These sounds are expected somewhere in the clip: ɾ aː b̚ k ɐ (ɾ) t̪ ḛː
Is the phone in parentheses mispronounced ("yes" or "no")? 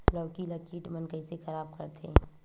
no